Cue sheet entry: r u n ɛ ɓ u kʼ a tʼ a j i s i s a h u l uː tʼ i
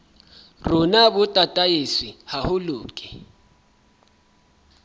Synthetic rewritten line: r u n a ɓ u tʼ a tʼ a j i s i h a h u l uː kʼ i